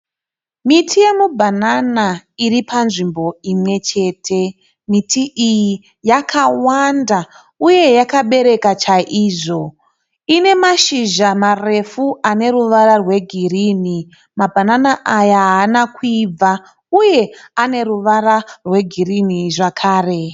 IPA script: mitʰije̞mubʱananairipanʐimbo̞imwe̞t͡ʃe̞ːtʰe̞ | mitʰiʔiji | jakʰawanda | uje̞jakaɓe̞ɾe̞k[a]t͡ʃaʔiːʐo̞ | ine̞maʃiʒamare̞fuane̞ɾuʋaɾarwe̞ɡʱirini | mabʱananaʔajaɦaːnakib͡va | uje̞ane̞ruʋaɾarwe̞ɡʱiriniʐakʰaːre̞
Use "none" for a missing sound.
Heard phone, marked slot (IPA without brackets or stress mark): a